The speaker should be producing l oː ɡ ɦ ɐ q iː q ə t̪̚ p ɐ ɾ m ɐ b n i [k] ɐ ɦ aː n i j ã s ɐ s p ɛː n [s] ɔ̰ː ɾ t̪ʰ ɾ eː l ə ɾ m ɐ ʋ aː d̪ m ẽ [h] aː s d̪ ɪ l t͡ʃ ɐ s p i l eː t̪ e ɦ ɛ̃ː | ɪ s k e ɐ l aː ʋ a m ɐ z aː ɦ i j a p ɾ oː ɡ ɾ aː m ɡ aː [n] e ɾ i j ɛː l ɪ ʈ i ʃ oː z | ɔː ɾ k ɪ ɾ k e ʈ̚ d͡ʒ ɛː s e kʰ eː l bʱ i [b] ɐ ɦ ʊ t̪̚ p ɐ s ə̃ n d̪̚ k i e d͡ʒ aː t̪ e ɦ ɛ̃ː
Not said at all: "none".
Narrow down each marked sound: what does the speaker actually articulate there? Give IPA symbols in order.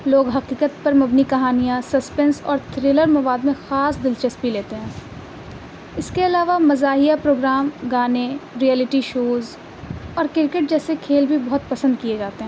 k, s, x, n, b

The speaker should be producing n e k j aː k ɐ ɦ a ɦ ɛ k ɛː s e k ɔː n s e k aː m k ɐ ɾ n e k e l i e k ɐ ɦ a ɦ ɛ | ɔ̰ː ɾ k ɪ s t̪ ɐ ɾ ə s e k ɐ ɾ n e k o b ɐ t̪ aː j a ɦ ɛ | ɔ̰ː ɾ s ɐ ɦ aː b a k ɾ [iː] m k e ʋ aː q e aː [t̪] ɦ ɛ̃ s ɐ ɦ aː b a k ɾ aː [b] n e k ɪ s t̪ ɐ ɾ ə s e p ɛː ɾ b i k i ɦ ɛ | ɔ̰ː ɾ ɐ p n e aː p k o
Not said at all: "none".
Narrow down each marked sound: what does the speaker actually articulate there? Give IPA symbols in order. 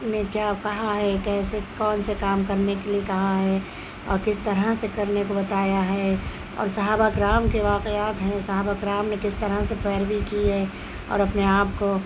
aː, t̪, m

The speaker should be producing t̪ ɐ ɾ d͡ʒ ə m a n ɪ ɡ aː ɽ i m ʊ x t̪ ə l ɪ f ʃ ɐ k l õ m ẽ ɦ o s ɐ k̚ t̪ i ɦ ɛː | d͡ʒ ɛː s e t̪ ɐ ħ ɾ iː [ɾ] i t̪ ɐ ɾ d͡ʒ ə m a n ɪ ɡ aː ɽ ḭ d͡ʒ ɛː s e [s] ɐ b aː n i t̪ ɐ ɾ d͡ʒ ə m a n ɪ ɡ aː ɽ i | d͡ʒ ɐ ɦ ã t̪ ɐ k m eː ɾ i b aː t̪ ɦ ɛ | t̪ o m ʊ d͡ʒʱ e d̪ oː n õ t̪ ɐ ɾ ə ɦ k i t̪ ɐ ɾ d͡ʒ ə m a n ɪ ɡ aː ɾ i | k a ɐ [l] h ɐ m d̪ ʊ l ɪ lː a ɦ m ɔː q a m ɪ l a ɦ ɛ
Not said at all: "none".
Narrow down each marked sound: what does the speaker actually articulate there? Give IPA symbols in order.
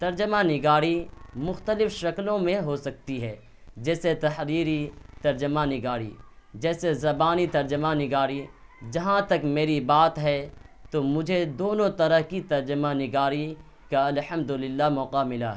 ɾ, z, l

